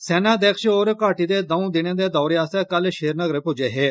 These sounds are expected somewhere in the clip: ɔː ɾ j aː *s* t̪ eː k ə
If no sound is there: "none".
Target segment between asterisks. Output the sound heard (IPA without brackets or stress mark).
s